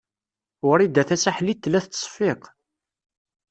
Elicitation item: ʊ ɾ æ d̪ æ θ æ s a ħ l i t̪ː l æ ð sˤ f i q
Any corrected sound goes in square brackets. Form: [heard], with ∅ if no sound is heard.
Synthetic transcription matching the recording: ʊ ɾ [i] d̪ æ θ æ s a ħ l i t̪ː l æ [θ] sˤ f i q